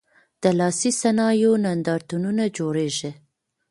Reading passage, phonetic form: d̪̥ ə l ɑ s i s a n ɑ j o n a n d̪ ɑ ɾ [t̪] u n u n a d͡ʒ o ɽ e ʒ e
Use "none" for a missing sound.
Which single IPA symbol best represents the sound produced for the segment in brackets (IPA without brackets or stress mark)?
t̪